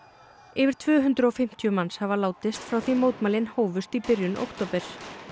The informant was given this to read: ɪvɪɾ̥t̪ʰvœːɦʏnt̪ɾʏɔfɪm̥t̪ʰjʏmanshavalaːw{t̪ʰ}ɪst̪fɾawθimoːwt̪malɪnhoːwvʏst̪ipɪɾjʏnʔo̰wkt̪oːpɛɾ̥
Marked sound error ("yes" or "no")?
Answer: yes